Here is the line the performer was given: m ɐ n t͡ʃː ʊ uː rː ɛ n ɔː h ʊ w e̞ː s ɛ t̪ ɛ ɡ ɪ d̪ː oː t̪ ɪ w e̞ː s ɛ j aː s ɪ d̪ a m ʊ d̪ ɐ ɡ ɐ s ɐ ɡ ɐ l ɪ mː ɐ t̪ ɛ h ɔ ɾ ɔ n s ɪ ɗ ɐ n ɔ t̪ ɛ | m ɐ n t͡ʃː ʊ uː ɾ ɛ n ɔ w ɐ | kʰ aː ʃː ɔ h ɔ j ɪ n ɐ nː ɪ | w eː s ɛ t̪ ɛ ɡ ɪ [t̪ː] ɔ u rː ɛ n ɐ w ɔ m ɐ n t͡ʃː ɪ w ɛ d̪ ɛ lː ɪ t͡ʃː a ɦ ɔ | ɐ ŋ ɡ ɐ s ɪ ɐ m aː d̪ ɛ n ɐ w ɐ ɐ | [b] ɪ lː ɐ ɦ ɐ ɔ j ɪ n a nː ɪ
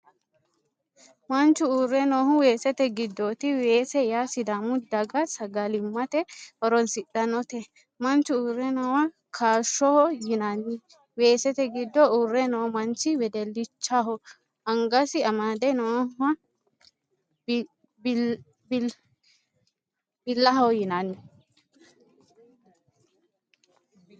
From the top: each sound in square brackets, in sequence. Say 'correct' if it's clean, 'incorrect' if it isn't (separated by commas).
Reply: incorrect, correct